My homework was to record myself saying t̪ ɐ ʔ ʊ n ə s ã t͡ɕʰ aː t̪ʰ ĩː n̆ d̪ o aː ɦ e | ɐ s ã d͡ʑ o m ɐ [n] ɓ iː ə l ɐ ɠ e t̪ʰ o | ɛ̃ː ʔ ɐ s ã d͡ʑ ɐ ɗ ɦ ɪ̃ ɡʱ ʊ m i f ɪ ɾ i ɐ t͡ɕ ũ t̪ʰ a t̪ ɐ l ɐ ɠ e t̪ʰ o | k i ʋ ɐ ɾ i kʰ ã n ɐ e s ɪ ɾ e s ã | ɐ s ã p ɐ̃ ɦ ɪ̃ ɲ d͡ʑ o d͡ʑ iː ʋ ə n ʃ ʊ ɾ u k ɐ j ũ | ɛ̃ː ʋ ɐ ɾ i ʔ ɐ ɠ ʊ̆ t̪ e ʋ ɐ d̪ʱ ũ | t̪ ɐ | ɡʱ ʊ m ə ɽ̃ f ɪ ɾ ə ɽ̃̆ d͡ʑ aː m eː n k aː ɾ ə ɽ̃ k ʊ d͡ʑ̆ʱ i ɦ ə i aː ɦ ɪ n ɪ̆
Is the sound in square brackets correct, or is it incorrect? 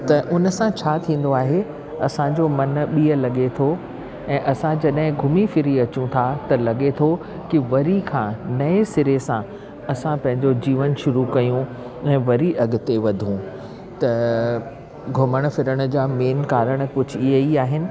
correct